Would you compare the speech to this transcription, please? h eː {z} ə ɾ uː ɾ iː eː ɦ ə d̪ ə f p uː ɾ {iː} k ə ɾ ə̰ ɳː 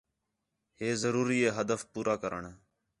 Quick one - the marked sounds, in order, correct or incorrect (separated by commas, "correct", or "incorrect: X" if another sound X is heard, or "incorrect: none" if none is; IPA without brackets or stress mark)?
correct, incorrect: aː